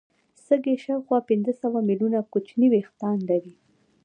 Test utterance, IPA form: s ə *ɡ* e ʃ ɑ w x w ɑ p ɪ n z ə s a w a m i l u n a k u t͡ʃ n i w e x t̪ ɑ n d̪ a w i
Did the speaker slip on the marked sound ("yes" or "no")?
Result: no